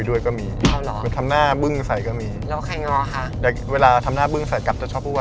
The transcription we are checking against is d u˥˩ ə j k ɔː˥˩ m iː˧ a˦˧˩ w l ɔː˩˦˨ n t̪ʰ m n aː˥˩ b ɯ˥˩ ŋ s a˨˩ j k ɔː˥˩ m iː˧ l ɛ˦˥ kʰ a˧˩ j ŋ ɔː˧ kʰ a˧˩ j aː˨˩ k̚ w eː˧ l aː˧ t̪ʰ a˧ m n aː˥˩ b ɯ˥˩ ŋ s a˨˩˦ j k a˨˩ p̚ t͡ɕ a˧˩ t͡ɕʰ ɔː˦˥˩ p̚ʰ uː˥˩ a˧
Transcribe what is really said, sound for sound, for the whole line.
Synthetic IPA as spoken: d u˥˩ ə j k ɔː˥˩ m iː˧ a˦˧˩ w l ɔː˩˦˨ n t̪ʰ m n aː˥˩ b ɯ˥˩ ŋ s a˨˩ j k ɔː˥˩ m iː˧ l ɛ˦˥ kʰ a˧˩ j ŋ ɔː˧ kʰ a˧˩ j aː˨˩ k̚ w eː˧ l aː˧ t̪ʰ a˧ m n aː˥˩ b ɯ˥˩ ŋ s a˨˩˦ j k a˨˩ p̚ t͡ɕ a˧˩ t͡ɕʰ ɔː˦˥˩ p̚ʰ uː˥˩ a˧